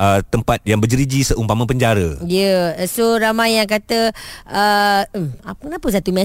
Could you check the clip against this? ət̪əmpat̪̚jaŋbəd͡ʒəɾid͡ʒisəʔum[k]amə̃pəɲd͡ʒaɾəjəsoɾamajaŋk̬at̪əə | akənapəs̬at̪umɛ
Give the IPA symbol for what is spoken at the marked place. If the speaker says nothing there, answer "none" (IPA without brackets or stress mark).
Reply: p